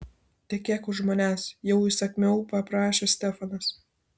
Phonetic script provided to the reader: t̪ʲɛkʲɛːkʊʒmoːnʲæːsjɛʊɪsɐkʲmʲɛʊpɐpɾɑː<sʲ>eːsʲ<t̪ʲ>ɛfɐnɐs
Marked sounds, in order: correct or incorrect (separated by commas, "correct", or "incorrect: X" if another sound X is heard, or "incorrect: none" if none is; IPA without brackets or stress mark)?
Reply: incorrect: ʃʲ, correct